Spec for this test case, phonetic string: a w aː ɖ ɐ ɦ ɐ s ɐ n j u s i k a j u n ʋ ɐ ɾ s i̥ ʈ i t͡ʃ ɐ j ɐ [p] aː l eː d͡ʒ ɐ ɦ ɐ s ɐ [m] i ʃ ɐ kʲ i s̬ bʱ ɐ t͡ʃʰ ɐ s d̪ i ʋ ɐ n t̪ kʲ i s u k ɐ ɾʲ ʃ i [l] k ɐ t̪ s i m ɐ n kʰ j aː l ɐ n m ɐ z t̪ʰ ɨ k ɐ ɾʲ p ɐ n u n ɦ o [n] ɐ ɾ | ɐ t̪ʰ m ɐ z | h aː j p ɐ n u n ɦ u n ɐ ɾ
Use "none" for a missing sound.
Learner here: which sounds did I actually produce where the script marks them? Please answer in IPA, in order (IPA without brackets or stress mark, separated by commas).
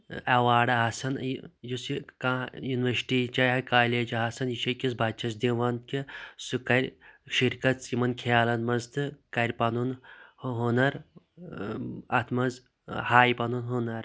k, n, ɾ, n